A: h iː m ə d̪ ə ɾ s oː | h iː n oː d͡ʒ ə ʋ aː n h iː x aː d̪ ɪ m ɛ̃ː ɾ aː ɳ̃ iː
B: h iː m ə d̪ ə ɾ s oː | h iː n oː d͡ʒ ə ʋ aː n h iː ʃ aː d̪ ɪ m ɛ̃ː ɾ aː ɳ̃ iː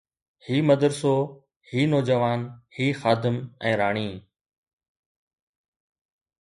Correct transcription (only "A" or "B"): A